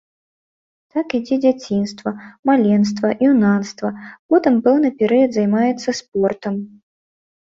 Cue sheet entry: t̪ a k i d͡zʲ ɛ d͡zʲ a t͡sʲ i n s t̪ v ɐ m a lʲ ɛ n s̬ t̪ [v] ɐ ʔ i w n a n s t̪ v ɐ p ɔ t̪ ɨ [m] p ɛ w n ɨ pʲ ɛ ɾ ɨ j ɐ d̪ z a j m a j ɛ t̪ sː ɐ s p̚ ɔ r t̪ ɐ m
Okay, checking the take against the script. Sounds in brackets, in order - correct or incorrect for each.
correct, correct

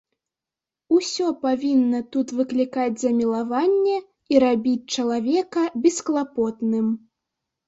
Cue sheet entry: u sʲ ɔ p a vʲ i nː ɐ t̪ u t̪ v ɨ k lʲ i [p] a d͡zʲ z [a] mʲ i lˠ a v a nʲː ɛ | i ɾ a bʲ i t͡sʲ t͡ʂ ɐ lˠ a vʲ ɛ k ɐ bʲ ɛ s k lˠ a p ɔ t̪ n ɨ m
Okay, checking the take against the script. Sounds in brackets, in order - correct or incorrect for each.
incorrect, incorrect

